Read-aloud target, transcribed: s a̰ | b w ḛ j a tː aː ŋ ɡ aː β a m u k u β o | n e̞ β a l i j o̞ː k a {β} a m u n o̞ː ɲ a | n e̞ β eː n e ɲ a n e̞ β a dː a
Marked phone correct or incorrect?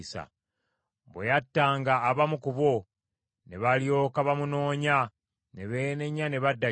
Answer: correct